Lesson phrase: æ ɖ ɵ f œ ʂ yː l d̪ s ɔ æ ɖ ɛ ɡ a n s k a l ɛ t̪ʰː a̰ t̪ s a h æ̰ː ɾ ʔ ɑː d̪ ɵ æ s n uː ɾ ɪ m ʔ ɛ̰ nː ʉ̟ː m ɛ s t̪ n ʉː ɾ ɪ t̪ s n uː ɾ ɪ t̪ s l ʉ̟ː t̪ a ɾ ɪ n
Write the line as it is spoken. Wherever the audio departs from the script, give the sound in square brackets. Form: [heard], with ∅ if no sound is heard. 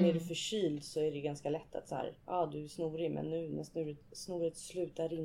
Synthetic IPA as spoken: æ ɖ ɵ f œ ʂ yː l d̪ s ɔ æ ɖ ɛ ɡ a n s k a l ɛ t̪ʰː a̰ t̪ s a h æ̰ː ɾ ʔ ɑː d̪ ɵ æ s n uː ɾ ɪ m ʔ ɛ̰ nː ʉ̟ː [n] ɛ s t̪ n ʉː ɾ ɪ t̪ s n uː ɾ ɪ t̪ s l ʉ̟ː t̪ a ɾ ɪ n